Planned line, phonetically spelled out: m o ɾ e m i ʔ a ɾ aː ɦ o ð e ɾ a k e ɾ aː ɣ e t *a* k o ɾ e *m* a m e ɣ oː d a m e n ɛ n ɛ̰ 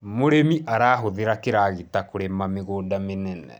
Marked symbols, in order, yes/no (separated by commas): yes, yes